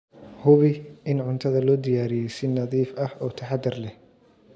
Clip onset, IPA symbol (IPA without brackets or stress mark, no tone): h